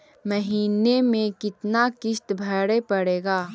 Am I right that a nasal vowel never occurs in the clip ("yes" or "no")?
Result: no